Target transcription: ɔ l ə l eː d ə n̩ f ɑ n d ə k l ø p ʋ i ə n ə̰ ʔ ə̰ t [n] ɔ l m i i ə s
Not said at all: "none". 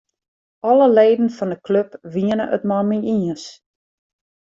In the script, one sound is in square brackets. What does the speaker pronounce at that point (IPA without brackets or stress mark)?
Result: m